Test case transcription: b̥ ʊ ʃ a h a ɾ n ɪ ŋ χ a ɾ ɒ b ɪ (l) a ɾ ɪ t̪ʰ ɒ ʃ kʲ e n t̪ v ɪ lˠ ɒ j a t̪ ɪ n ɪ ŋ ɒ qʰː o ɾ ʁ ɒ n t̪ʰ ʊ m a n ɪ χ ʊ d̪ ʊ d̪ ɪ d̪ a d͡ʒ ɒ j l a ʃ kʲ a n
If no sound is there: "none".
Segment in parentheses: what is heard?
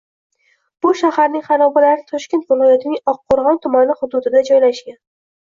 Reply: l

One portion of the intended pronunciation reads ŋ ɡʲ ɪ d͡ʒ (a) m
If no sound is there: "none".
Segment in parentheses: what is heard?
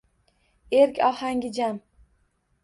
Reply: a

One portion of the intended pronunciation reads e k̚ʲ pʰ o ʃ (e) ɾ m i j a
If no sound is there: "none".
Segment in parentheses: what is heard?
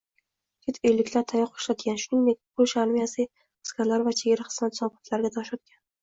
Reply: a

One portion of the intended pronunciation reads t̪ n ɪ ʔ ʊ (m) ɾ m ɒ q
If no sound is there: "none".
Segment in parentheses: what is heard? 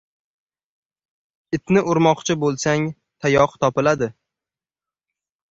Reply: none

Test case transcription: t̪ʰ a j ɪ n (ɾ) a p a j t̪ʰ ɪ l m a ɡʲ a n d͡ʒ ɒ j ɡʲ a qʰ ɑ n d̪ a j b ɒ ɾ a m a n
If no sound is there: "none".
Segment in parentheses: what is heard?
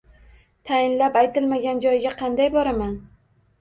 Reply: l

